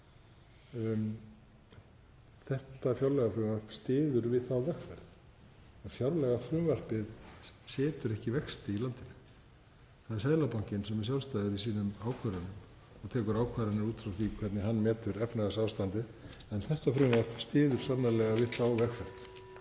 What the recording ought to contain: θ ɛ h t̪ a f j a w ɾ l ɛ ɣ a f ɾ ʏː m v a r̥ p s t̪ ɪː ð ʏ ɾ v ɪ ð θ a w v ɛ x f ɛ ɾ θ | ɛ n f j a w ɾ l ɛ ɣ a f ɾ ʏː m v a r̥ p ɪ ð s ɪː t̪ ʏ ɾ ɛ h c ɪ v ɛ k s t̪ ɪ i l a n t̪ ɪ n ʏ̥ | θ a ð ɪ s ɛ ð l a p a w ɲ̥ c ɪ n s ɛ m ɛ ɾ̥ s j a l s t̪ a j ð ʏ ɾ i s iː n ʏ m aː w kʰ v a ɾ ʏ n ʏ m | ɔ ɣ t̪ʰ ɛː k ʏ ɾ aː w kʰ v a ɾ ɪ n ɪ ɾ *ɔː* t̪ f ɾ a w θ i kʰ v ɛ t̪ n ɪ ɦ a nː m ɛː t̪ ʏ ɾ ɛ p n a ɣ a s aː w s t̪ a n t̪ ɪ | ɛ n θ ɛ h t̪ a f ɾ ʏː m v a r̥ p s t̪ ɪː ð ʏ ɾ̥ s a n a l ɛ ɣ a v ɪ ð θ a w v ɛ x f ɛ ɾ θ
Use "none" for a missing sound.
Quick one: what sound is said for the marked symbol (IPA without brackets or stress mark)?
uː